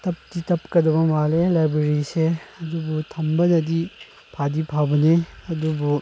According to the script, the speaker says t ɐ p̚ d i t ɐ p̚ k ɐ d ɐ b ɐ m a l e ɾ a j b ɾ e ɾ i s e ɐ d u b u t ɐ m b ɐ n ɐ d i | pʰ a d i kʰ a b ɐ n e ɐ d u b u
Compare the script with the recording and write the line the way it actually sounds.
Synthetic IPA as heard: t ɐ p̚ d i t ɐ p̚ k ɐ d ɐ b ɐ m a l e l a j b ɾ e ɾ i s e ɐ d u b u tʰ ɐ m b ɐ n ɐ d i | pʰ a d i pʰ a b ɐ n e ɐ d u b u